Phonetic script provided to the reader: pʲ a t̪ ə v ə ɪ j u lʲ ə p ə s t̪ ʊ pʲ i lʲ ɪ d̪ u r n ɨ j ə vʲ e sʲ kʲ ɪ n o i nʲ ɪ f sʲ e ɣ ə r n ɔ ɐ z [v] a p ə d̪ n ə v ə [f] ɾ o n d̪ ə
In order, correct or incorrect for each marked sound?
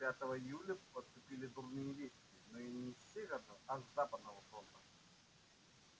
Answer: incorrect: z, correct

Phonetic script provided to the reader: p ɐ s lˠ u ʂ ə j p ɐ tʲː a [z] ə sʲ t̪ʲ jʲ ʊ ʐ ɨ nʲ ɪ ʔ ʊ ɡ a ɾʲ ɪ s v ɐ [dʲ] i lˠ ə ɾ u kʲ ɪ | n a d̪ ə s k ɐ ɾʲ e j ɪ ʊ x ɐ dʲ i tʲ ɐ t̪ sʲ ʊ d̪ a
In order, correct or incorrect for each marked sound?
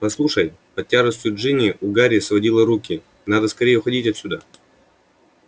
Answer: incorrect: ʐ, correct

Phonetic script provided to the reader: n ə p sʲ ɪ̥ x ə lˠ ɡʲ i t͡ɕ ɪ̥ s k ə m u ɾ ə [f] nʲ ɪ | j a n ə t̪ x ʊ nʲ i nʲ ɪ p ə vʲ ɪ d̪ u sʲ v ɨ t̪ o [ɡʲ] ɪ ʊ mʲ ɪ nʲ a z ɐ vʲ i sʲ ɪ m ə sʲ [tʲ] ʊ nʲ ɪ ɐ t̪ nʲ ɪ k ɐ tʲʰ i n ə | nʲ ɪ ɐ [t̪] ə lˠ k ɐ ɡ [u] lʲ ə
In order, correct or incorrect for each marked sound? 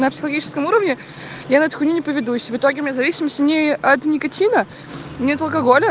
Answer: incorrect: v, correct, correct, correct, incorrect: o

